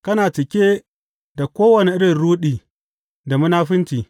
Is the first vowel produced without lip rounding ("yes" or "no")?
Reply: yes